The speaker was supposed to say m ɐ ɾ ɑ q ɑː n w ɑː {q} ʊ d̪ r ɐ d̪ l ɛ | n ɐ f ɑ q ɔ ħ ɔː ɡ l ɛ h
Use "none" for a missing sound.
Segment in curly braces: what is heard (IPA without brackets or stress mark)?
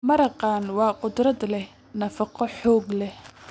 q